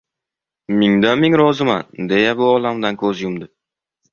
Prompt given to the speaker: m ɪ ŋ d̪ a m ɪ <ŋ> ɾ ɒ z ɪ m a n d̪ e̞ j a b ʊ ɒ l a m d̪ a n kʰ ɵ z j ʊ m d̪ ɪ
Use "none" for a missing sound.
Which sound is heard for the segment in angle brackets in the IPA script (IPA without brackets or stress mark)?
ŋ